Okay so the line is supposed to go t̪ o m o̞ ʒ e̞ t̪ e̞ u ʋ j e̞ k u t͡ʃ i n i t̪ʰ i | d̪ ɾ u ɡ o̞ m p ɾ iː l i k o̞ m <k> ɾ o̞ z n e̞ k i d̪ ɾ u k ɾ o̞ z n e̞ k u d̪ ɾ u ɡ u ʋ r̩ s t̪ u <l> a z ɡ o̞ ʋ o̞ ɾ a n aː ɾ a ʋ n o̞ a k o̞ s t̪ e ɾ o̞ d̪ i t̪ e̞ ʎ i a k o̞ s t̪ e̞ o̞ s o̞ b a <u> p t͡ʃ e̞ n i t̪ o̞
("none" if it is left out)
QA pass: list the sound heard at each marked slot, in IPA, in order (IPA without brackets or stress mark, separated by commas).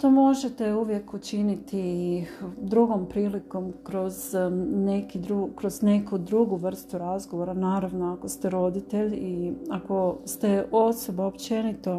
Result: k, ɾ, o